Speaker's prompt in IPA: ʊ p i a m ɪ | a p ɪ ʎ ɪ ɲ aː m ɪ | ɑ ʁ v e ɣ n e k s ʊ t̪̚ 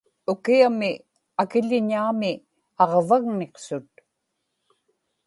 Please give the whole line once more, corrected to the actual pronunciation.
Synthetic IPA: ʊ k i a m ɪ | a k ɪ ʎ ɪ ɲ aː m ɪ | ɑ ʁ v a ɣ n e q s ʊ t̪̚